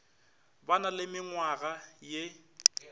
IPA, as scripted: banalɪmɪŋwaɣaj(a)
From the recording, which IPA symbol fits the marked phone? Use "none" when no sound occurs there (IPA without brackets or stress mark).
e